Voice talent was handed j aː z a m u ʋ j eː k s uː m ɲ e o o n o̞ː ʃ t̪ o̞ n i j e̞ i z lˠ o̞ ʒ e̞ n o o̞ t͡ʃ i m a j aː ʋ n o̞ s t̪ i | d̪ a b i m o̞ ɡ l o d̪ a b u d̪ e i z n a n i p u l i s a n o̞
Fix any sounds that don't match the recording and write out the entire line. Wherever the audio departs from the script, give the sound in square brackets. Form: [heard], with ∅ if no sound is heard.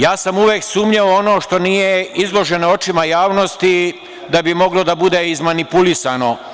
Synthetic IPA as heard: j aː [s] a m u ʋ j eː k s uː m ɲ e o o n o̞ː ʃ t̪ o̞ n i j e̞ i z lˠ o̞ ʒ e̞ n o o̞ t͡ʃ i m a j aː ʋ n o̞ s t̪ i | d̪ a b i m o̞ ɡ l o d̪ a b u d̪ e i z [m] a n i p u l i s a n o̞